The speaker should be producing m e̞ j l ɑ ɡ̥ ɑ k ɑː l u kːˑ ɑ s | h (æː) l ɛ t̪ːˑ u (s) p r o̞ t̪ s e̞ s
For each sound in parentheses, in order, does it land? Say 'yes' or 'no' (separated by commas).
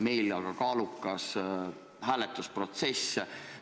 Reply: yes, yes